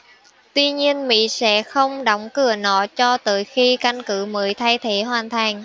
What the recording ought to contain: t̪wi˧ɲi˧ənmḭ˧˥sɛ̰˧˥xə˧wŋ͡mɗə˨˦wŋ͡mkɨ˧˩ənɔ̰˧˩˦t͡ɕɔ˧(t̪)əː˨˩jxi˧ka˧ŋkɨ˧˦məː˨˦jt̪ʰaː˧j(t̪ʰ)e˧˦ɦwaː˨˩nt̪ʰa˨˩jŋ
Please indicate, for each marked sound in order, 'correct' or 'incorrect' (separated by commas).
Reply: correct, correct